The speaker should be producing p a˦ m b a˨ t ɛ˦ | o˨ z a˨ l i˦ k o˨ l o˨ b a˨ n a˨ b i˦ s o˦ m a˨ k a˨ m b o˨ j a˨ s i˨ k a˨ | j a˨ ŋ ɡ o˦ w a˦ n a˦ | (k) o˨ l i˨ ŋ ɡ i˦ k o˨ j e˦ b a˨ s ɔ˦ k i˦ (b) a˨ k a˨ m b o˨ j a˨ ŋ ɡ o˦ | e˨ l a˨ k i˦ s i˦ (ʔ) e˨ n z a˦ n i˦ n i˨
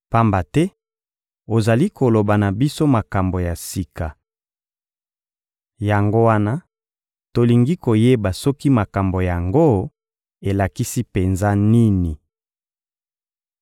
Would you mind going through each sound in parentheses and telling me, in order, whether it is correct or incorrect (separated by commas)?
incorrect, incorrect, incorrect